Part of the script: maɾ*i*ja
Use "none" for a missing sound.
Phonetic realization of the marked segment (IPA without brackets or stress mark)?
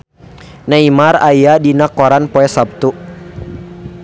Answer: a